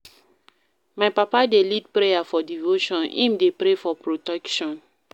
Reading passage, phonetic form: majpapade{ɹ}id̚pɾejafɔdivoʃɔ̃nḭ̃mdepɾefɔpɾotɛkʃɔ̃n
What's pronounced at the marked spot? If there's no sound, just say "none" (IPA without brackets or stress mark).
l